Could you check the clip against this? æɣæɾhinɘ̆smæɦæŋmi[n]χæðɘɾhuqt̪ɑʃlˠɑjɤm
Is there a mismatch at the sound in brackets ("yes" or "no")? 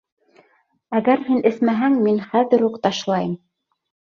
no